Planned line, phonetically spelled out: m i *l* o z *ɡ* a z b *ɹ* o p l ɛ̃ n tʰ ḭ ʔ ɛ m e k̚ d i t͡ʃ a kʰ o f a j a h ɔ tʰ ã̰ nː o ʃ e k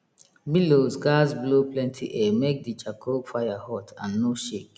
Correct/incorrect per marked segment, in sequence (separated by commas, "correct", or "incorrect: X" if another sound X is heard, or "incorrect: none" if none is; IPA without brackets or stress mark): correct, correct, incorrect: l